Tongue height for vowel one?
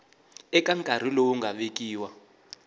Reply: mid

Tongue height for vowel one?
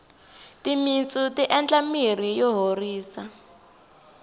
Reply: high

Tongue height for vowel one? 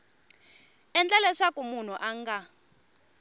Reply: mid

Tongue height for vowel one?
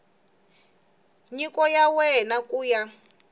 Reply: high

